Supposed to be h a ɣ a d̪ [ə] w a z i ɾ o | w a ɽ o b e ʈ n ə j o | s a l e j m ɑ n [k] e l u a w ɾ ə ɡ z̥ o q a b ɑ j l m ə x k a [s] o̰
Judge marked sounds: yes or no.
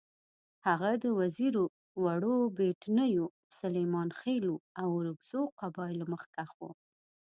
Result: yes, no, no

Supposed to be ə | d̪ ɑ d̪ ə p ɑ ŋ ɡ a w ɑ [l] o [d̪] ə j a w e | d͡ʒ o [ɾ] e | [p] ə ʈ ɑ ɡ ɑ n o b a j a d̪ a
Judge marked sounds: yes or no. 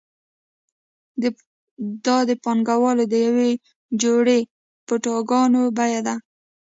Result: yes, yes, no, yes

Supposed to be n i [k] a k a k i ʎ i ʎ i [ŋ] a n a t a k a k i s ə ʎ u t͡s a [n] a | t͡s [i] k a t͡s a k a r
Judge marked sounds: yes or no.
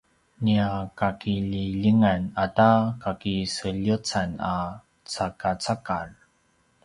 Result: no, yes, yes, no

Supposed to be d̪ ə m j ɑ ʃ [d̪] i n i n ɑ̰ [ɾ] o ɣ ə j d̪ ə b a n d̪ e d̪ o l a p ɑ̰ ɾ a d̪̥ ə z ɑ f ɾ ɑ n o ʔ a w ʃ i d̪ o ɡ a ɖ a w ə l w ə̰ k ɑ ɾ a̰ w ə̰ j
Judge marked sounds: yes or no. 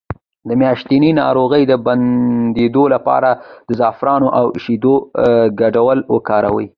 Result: no, yes

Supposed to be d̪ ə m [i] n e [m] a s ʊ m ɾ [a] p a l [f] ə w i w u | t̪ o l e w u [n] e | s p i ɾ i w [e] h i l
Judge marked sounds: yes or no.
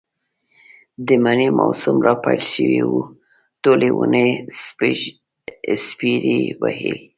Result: no, yes, no, no, yes, no

